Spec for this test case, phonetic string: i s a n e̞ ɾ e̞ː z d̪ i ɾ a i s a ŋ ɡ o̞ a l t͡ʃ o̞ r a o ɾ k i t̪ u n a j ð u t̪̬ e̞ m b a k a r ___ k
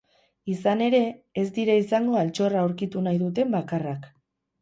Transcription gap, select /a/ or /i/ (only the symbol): a